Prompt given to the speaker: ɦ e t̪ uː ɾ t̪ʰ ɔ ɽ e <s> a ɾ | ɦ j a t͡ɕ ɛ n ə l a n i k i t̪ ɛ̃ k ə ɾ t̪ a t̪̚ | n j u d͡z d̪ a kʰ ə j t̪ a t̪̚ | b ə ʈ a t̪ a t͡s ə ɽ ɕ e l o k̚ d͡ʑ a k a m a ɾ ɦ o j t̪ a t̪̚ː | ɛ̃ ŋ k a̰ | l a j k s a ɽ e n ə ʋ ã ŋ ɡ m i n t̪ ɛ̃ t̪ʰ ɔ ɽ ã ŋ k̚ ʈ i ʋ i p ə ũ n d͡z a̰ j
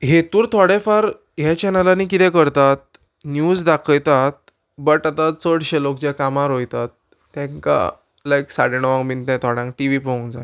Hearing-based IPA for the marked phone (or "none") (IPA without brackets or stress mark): f